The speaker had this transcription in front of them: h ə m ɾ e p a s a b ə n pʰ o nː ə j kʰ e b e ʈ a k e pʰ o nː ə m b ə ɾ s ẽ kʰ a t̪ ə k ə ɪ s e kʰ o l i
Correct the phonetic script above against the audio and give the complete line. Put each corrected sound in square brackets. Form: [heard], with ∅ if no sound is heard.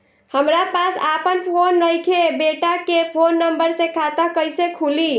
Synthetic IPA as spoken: h ə m ɾ [a] p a s a [p] ə n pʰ o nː ə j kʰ e b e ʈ a k e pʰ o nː ə m b ə ɾ s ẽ kʰ a t̪ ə k ə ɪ s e kʰ [u] l i